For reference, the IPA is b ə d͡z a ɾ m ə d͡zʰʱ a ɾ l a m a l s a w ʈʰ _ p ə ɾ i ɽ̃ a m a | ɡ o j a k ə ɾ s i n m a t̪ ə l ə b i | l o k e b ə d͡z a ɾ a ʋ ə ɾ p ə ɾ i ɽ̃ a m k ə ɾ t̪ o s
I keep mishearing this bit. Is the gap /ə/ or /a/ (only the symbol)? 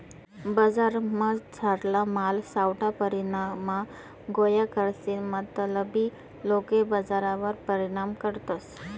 a